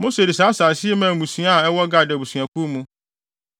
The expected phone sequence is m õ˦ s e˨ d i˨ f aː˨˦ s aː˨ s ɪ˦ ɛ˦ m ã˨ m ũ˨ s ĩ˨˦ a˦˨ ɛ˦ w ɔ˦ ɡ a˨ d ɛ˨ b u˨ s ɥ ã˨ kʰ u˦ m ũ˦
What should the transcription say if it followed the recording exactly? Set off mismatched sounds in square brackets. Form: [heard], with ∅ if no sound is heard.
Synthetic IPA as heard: m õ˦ s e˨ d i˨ [s] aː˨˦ s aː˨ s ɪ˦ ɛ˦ m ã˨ m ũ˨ s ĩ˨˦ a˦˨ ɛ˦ w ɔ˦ ɡ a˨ d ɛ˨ b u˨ s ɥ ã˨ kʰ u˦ m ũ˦